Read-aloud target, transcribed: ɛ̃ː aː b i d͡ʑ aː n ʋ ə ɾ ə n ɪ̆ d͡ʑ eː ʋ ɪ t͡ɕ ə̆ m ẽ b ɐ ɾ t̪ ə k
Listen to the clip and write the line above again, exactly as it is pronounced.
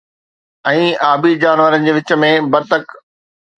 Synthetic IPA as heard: ɛ̃ː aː b i d͡ʑ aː n ʋ ə ɾ ə n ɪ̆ d͡ʑ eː ʋ ɪ t͡ɕ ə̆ m ẽ b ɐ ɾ t̪ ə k

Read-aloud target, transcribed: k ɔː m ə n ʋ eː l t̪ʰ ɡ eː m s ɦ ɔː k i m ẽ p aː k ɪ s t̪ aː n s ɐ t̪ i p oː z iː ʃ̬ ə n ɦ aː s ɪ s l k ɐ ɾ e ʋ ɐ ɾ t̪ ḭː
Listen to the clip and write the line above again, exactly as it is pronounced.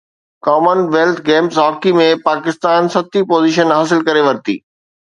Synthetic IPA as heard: k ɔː m ə n ʋ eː l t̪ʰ ɡ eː m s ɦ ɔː k i m ẽ p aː k ɪ s t̪ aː n s ɐ t̪ i p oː z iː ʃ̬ ə n ɦ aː s ɪ l k ɐ ɾ e ʋ ɐ ɾ t̪ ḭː

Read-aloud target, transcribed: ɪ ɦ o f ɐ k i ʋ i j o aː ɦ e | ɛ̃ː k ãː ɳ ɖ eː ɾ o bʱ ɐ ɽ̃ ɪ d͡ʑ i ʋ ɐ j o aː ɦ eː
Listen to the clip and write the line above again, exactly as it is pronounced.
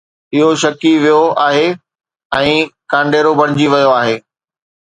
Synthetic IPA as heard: ɪ ɦ o ʃ ɐ k i ʋ i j o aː ɦ e | ɛ̃ː k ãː ɳ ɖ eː ɾ o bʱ ɐ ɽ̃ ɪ d͡ʑ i ʋ ɐ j o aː ɦ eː

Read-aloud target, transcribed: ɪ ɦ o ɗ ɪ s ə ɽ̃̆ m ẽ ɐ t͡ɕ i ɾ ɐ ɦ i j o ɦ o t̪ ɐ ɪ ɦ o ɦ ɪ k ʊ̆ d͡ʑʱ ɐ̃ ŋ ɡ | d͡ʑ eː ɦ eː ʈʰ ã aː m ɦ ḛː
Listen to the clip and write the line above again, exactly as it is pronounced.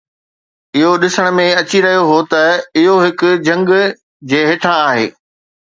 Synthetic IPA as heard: ɪ ɦ o ɗ ɪ s ə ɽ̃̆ m ẽ ɐ t͡ɕ i ɾ ɐ ɦ i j o ɦ o t̪ ɐ ɪ ɦ o ɦ ɪ k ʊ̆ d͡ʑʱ ɐ̃ ŋ ɡ | d͡ʑ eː ɦ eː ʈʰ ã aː ɦ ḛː

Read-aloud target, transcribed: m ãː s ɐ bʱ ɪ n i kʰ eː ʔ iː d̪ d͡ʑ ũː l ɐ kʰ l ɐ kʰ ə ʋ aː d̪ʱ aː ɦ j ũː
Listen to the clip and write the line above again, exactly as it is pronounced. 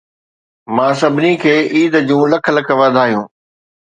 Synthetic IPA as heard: m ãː s ɐ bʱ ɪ n i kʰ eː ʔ iː d̪ d͡ʑ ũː l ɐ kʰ l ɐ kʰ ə ʋ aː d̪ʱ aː ɦ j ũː

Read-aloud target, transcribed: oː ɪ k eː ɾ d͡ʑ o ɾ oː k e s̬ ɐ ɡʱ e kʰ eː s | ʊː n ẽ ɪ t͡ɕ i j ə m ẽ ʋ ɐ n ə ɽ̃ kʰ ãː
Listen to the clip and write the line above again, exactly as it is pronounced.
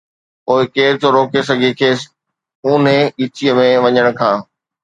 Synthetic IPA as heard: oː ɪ k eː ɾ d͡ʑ o ɾ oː k e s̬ ɐ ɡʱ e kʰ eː s | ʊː n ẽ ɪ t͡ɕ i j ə m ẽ ʋ ɐ ɲ ə ɽ̃ kʰ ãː

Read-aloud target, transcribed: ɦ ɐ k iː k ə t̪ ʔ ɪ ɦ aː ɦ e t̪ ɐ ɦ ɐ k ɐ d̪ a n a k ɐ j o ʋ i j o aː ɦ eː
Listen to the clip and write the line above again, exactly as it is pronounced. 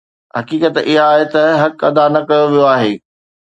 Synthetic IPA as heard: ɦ ɐ k iː k ə t̪ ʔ ɪ ɦ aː ɦ e t̪ ɐ ɦ ɐ k ɐ d̪ a n ɐ k ɐ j o ʋ i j o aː ɦ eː

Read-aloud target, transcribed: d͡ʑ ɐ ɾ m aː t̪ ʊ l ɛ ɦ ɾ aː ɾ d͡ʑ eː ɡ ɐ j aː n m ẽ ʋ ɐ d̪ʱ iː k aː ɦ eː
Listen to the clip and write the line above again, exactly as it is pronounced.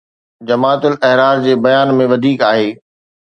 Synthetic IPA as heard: d͡ʑ ɐ m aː t̪ ʊ l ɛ ɦ ɾ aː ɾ d͡ʑ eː b ɐ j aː n m ẽ ʋ ɐ d̪ʱ iː k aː ɦ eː

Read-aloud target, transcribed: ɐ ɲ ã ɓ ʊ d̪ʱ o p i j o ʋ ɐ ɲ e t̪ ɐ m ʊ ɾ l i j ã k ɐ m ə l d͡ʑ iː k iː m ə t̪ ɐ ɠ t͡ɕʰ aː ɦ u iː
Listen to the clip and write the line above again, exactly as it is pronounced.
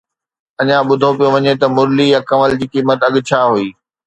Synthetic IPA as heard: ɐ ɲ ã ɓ ʊ d̪ʱ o p i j o ʋ ɐ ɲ e t̪ ɐ m ʊ ɾ l i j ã k ɐ m ə l d͡ʑ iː k iː m ə t̪ ɐ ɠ t͡ɕʰ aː ɦ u iː

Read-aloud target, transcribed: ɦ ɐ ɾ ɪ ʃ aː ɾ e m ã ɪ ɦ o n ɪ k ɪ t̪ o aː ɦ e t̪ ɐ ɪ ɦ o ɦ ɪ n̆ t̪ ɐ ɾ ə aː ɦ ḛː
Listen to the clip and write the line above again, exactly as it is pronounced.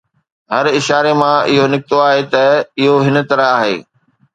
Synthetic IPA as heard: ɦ ɐ ɾ ɪ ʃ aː ɾ e m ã ɪ ɦ o n ɪ k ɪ t̪ o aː ɦ e t̪ ɐ ɪ ɦ o ɦ ɪ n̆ t̪ ɐ ɾ ə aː ɦ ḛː

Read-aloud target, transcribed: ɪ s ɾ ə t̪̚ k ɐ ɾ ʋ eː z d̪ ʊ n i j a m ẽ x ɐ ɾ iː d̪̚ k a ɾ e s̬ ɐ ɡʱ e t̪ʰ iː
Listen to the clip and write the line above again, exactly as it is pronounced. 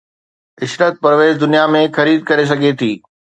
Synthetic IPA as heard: ɪ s ɾ ə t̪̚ p ɐ ɾ ʋ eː z d̪ ʊ n i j a m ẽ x ɐ ɾ iː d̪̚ k ɐ ɾ e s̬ ɐ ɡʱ e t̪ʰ iː

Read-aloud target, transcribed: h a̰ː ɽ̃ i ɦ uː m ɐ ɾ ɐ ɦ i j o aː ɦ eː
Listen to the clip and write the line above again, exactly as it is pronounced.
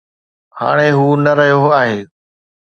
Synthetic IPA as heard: h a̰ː ɽ̃ e ɦ uː n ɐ ɾ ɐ ɦ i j o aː ɦ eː

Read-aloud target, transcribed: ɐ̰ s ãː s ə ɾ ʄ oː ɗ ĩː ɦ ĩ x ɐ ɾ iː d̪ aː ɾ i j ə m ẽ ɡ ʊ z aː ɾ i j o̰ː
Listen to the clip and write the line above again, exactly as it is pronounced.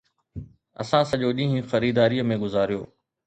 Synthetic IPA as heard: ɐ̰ s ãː s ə ʄ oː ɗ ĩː ɦ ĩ x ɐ ɾ iː d̪ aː ɾ i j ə m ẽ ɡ ʊ z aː ɾ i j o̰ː

